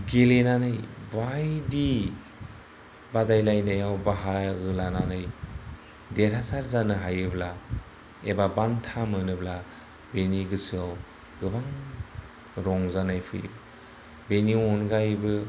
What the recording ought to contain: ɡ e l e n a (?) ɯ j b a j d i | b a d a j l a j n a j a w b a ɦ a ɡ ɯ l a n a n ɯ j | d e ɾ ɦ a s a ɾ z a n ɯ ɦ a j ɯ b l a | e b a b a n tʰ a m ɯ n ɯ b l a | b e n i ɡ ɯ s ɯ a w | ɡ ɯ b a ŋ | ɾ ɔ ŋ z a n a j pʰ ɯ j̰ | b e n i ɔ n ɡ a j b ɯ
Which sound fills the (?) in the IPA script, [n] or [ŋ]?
n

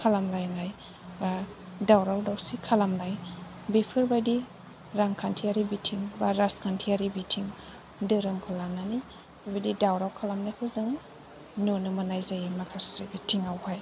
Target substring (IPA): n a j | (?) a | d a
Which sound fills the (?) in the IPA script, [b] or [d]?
b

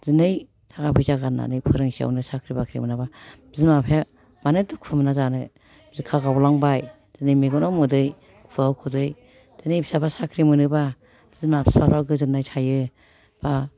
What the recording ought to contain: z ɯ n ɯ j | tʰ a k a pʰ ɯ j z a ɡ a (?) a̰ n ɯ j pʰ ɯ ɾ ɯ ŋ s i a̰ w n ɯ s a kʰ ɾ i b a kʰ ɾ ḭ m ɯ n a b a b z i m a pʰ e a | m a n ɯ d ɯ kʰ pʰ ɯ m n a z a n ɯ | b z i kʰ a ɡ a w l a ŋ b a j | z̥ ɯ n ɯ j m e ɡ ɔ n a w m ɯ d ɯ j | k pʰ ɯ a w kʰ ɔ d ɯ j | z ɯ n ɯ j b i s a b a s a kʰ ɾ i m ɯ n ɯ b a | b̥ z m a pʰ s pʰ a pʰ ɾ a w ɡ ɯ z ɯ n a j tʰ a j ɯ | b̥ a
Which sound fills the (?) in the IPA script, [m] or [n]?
n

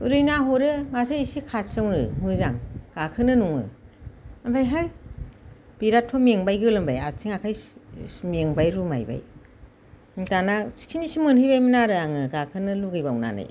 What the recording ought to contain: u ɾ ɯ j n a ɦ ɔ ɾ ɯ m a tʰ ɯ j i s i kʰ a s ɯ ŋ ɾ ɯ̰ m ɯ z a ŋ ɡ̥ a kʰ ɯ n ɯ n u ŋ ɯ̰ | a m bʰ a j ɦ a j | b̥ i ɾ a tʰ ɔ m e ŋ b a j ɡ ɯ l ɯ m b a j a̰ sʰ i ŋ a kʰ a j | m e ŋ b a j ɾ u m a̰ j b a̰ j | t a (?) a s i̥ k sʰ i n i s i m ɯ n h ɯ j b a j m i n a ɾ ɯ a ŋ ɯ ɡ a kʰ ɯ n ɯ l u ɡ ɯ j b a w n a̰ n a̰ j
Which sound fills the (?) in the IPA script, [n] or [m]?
n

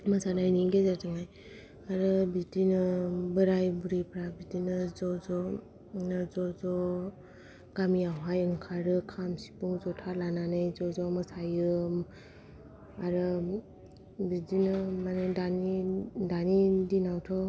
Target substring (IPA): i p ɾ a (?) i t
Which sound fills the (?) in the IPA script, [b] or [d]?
b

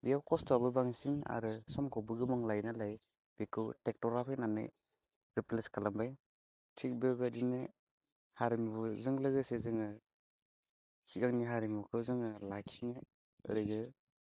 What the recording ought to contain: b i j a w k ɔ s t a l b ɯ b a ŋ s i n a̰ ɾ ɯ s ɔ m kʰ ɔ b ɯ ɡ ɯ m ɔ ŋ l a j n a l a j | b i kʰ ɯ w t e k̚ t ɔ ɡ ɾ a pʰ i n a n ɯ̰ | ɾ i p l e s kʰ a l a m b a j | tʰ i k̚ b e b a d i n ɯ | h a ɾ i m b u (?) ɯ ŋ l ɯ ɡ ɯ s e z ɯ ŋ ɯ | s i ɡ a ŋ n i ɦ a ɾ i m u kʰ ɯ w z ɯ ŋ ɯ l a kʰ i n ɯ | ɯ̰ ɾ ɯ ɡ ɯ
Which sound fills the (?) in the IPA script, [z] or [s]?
z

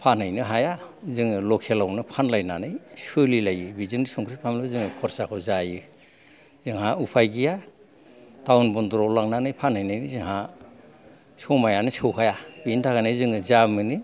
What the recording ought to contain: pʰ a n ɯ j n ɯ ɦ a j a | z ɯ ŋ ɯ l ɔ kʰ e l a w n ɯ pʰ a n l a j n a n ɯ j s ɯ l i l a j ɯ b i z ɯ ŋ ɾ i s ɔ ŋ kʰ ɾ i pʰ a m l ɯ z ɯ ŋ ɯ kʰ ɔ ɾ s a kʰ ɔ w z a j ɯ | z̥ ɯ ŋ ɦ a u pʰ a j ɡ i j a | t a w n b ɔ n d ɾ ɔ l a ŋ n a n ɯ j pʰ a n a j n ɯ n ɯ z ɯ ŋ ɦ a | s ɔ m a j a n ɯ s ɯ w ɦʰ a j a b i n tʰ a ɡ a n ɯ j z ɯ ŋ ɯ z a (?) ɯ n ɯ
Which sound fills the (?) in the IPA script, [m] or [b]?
m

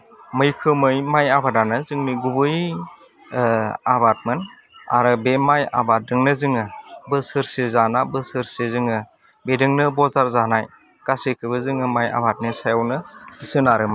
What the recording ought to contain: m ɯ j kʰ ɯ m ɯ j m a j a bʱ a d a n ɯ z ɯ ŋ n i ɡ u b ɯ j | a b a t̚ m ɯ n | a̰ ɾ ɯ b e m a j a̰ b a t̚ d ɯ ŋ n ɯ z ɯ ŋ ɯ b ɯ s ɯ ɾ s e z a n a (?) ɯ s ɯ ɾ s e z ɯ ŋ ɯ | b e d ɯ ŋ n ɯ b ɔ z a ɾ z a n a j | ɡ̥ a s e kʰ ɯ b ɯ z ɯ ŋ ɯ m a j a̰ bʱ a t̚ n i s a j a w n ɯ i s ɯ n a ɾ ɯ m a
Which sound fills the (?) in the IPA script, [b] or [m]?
b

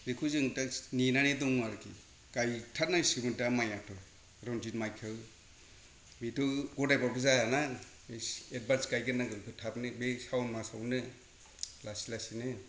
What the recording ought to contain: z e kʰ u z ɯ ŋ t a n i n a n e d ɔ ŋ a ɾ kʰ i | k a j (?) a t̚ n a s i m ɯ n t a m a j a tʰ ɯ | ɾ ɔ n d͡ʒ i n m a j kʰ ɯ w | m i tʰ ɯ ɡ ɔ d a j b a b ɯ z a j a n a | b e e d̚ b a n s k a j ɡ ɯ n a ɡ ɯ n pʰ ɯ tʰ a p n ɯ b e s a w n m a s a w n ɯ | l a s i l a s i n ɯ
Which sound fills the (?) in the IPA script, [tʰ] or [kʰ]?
tʰ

